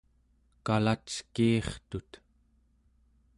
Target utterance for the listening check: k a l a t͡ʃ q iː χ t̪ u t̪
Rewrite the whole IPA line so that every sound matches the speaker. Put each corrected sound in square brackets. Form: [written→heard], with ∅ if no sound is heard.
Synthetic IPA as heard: k a l a t͡ʃ [q→k] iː χ t̪ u t̪